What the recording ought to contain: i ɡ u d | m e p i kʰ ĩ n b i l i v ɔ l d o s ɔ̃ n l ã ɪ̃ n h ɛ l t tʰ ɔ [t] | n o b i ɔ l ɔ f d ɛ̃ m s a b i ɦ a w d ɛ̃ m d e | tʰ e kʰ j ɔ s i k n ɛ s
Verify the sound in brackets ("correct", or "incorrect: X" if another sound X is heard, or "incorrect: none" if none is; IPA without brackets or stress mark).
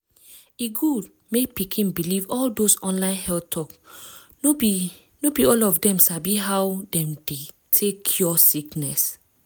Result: incorrect: k